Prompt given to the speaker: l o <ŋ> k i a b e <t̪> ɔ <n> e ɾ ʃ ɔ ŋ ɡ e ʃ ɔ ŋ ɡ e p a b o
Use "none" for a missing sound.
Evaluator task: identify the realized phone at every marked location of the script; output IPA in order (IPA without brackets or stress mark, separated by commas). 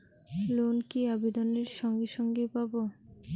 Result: n, d̪, n